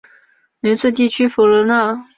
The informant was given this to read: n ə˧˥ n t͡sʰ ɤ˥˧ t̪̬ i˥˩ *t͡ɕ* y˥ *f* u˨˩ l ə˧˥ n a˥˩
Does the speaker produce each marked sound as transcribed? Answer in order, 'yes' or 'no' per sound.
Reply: no, yes

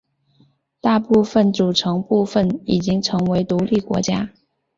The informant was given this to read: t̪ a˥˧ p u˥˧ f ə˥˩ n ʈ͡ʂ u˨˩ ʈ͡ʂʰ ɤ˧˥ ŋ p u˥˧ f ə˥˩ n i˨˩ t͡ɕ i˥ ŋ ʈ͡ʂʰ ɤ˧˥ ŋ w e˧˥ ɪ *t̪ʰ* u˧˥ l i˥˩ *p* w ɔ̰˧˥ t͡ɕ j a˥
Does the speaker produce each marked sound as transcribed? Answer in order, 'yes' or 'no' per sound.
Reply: no, no

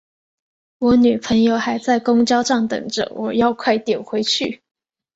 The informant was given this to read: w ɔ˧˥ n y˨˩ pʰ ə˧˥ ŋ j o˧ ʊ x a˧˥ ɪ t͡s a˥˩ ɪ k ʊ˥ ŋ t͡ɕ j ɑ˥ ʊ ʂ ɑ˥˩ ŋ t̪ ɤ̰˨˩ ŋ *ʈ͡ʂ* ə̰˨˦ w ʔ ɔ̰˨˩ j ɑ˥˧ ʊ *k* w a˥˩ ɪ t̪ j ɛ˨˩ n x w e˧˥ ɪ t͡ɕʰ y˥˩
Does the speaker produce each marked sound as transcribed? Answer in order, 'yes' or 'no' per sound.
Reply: yes, no

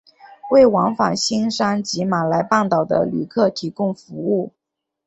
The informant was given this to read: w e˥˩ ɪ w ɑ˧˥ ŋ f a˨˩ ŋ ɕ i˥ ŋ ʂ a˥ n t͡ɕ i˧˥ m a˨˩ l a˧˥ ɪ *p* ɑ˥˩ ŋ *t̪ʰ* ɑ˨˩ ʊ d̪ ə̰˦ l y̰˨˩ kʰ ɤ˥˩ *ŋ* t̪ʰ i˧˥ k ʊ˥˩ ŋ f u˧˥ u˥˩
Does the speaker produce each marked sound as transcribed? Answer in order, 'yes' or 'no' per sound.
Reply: yes, no, no

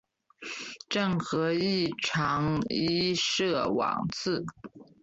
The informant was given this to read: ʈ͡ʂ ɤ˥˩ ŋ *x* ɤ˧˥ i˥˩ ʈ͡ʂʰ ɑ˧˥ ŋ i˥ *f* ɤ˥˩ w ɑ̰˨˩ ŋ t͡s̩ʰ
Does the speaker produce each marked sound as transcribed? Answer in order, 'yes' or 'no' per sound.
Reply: yes, no

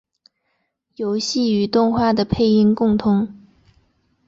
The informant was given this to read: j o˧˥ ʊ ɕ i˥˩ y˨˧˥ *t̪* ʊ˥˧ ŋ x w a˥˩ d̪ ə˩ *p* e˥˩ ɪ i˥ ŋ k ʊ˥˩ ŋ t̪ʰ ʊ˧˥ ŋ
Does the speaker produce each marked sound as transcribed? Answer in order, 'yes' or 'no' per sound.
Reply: yes, no

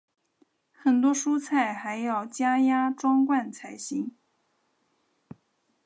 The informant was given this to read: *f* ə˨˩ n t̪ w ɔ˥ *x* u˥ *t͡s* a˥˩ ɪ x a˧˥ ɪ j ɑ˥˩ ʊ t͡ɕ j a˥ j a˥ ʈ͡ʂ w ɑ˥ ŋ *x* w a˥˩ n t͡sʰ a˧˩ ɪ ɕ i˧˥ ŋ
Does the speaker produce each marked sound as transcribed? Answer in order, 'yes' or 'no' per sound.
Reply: no, no, no, no

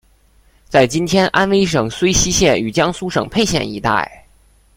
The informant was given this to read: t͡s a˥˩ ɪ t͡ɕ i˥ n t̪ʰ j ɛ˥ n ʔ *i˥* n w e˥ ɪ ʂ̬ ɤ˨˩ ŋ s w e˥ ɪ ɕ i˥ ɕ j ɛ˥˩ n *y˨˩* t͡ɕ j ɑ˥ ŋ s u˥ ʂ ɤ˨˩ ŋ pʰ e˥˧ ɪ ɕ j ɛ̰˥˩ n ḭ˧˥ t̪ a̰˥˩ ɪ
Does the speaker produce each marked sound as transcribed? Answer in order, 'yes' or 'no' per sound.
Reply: no, yes

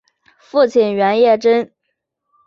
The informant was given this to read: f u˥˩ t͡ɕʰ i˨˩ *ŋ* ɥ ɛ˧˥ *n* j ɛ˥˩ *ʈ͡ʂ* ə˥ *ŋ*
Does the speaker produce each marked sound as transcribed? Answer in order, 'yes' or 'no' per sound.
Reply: no, yes, yes, no

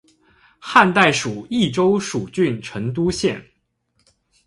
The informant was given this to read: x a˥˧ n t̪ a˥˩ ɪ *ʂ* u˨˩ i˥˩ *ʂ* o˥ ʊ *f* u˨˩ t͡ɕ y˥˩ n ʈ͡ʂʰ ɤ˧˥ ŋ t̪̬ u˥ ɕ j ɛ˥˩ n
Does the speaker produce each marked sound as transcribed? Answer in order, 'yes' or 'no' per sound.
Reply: yes, no, no

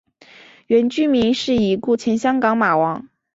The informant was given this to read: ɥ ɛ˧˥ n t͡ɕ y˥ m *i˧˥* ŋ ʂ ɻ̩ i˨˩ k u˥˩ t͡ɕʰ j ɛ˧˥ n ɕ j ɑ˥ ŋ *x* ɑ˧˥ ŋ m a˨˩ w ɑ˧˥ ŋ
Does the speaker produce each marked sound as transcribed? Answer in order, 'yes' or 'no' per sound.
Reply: yes, no

